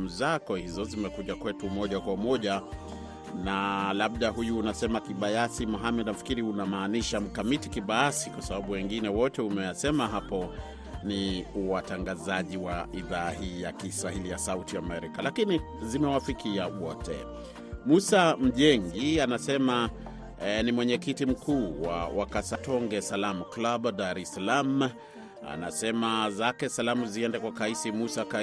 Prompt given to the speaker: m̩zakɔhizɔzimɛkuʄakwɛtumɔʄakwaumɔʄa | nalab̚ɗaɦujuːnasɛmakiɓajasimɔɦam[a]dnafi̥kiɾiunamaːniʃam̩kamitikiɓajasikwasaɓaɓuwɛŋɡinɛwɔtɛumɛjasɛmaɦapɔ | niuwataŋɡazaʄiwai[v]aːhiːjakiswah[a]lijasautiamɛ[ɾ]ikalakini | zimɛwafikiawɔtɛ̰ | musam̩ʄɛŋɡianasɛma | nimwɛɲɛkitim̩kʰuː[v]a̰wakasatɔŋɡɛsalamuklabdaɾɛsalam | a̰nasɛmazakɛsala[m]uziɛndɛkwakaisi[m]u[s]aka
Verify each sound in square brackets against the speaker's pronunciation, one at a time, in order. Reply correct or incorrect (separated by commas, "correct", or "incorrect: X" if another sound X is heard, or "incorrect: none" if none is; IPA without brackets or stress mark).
incorrect: ɛ, incorrect: ð, incorrect: i, correct, incorrect: w, correct, correct, correct